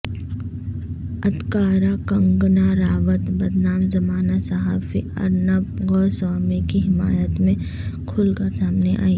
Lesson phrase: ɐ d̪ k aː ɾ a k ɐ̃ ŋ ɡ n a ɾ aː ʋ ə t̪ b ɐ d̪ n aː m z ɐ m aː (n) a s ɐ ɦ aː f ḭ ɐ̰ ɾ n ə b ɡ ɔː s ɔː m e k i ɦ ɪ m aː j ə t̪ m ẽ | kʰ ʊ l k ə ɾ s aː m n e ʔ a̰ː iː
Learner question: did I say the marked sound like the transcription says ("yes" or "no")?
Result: yes